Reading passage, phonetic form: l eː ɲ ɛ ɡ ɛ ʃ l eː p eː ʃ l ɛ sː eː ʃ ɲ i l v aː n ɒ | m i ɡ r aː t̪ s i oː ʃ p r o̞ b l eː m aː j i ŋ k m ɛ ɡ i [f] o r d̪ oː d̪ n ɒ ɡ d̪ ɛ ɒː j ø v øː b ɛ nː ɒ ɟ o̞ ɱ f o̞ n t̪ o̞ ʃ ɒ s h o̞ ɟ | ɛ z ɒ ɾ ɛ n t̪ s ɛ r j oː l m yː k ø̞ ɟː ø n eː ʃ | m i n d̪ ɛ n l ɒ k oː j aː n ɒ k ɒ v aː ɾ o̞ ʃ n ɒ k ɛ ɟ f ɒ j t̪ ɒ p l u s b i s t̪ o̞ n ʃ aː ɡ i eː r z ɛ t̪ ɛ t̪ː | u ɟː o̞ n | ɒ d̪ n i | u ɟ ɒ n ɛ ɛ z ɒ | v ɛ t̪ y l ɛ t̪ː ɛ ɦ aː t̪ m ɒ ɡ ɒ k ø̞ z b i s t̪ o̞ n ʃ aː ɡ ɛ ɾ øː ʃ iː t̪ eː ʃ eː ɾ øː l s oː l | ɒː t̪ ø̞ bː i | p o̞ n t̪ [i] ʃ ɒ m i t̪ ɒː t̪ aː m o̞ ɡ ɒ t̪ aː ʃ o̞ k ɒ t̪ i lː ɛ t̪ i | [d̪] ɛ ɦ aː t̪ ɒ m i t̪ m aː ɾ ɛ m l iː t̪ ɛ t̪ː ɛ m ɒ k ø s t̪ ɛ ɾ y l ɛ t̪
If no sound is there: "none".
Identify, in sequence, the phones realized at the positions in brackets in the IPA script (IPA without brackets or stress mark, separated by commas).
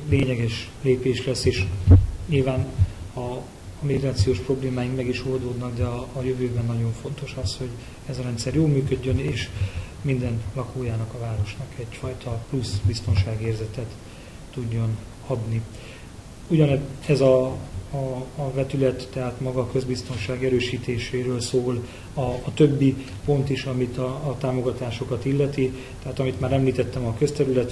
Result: ʃ, i, t̪